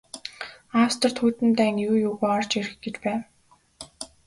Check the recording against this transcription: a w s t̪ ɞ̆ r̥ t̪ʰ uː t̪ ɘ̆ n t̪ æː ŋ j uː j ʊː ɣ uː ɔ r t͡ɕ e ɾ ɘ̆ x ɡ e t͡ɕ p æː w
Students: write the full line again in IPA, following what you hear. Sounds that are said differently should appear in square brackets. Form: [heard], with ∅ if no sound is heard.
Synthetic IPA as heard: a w s t̪ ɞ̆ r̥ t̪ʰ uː t̪ ɘ̆ n t̪ æː ŋ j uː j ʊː ɣ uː ɔ r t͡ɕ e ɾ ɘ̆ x ɡ e t͡ɕ p æː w